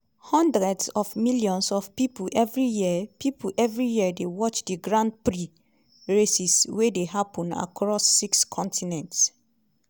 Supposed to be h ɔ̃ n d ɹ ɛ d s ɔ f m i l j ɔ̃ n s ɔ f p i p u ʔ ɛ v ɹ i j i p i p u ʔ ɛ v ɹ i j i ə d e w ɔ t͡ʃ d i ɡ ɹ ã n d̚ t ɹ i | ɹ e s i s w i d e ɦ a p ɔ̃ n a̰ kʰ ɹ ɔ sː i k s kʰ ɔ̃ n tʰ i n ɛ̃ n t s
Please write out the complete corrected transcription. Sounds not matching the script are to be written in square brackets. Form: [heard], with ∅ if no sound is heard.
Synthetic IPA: h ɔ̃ n d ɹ ɛ d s ɔ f m i l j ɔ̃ n s ɔ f p i p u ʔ ɛ v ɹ i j i p i p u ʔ ɛ v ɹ i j i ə d e w ɔ t͡ʃ d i ɡ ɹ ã n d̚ [p] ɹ i | ɹ e s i s w [e] d e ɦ a p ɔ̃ n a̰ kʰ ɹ ɔ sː i k s kʰ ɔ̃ n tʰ i n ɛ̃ n t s